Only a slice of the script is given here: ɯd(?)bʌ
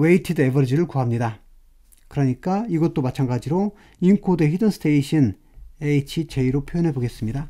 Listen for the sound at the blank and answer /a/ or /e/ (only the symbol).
e